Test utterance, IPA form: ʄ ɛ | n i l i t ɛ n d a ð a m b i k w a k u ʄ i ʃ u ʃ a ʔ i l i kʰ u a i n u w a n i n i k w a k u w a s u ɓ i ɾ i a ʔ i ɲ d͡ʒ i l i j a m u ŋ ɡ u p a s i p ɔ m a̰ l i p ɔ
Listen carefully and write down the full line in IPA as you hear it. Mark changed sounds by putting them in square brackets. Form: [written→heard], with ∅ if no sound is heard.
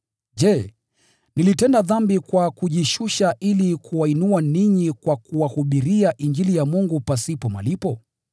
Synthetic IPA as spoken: ʄ ɛ | n i l i t ɛ n d a ð a m b i k w a k u ʄ i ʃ u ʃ a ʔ i l i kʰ u a i n u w a n i [n→ɲ] i k w a k u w a [s→h] u ɓ i ɾ i a ʔ i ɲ d͡ʒ i l i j a m u ŋ ɡ u p a s i p ɔ m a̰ l i p ɔ